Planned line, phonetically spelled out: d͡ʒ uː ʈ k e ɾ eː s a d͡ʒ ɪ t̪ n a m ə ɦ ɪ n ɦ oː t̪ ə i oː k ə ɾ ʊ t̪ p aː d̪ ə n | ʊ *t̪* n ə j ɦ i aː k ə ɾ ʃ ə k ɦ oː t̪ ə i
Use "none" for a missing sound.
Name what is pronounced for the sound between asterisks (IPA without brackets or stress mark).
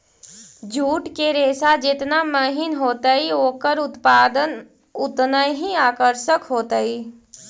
t̪